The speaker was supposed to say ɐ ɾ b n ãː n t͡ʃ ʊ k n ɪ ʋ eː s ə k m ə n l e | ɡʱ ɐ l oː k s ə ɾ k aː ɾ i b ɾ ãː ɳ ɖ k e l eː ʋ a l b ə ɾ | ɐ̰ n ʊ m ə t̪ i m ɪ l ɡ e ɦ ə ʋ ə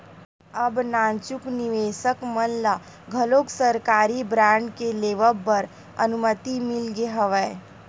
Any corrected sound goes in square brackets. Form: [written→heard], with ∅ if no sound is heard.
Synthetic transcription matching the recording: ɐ [ɾ→∅] b n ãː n t͡ʃ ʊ k n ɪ ʋ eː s ə k m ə n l [e→a] | ɡʱ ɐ l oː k s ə ɾ k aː ɾ i b ɾ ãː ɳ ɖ k e l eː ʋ [a→ə] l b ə ɾ | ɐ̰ n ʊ m ə t̪ i m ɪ l ɡ e ɦ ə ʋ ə